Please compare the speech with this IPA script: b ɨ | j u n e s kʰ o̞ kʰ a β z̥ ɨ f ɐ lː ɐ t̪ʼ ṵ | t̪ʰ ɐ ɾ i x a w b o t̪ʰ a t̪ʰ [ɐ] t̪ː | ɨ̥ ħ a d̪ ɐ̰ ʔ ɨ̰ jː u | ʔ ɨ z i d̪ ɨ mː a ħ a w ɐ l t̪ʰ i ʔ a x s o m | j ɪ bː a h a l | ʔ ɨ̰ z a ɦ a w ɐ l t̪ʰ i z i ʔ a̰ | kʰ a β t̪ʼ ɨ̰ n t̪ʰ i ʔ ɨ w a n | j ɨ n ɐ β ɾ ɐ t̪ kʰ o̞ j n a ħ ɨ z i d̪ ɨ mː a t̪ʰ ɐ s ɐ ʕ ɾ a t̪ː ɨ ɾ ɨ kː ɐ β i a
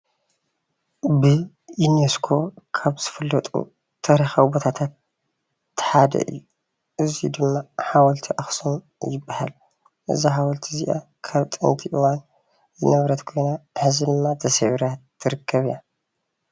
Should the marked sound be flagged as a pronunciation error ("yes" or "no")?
yes